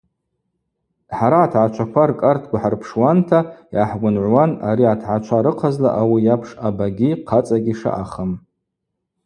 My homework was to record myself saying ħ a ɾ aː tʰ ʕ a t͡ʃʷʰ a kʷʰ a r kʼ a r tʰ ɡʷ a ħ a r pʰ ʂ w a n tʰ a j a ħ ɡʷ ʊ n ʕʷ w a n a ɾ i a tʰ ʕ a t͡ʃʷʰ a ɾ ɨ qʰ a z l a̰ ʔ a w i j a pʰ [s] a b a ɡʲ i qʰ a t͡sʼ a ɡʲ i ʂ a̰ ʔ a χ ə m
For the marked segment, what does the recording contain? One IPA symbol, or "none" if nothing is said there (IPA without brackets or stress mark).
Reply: ʂ